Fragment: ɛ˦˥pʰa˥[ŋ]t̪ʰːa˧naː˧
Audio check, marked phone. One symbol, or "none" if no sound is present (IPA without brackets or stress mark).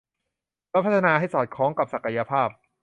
none